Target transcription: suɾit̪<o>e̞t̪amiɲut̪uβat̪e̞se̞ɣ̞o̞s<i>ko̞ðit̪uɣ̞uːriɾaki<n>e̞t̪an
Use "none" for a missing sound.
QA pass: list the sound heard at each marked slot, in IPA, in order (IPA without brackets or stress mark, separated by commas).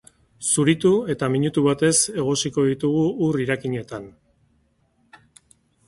u, i, ɲ